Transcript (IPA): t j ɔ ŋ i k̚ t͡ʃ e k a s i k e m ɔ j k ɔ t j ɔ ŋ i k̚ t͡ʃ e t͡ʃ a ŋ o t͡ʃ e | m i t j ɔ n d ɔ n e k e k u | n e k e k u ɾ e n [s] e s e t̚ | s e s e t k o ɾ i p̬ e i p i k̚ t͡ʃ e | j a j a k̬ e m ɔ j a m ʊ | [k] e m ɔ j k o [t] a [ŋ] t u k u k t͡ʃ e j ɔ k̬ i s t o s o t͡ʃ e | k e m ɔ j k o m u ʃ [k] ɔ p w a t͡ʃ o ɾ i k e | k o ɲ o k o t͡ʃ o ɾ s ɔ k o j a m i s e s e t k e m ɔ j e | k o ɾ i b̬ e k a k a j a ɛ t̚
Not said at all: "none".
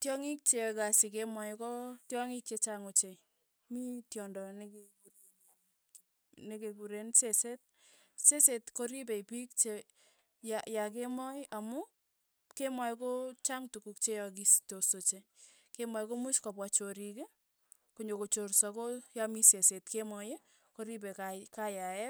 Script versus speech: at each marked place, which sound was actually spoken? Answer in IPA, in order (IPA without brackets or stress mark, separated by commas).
s, k, t͡ʃ, ŋ, k